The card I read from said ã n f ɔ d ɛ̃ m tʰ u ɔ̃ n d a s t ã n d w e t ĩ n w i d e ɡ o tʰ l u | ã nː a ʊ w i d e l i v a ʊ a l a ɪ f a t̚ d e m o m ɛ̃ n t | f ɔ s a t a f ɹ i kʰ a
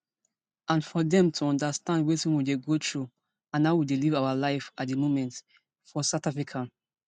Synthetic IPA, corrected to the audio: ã n f ɔ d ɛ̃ m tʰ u ɔ̃ n d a s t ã n d w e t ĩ n w i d e ɡ o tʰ ɹ u | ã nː a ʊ w i d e l i v a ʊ a l a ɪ f a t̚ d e m o m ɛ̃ n t | f ɔ s a t a f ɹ i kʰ a